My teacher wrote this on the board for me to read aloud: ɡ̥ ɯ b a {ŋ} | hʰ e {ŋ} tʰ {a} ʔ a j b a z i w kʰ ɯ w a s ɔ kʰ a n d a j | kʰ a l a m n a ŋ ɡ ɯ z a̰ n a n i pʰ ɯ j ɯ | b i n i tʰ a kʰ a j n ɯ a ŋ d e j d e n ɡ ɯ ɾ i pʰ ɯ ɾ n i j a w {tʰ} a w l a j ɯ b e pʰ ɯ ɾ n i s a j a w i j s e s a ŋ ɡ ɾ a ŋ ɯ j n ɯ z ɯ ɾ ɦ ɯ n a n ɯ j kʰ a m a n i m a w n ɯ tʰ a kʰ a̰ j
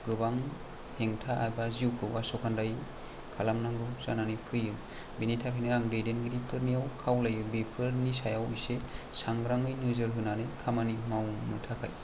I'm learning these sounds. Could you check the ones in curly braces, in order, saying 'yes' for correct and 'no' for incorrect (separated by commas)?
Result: yes, yes, yes, no